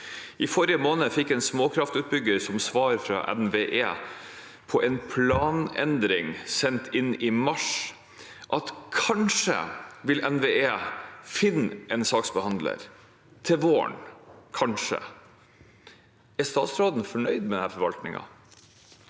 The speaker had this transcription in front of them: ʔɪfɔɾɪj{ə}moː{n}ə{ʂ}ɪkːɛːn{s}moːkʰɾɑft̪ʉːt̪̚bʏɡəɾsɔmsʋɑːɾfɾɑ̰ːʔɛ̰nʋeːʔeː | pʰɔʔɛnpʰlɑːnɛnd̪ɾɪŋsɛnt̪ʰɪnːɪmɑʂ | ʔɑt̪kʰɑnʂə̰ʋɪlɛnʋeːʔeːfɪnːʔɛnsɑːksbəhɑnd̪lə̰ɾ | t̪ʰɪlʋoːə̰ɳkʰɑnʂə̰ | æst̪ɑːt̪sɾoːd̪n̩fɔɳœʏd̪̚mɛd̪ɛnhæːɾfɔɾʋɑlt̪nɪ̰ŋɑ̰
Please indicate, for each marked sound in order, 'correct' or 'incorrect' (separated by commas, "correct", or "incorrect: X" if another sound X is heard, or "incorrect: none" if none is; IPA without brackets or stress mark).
correct, correct, incorrect: f, correct